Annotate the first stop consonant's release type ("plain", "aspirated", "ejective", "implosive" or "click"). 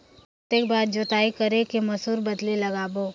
plain